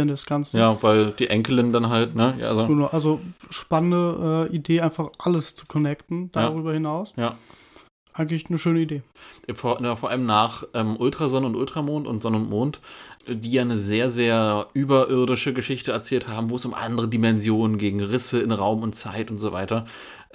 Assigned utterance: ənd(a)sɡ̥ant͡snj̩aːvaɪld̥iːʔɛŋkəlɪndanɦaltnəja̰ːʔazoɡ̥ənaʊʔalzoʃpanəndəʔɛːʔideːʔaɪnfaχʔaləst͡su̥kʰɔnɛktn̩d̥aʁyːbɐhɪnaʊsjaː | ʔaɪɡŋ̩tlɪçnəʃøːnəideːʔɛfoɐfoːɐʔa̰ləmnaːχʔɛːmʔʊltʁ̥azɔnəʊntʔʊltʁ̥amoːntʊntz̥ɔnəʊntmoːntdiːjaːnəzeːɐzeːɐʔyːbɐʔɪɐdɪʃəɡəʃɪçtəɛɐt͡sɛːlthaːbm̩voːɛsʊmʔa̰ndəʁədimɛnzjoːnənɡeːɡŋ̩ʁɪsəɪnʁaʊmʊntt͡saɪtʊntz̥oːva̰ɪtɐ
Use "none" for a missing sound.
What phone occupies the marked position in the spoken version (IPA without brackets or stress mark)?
ɛ